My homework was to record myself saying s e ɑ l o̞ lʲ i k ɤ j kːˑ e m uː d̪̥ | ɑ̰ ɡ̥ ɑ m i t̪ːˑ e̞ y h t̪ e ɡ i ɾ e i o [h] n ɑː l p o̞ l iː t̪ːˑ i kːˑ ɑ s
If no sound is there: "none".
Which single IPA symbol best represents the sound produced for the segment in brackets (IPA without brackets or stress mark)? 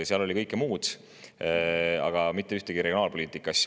none